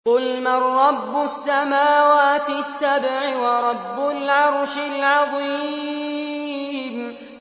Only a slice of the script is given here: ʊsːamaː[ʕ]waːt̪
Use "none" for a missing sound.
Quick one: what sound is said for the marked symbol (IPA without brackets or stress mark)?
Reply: none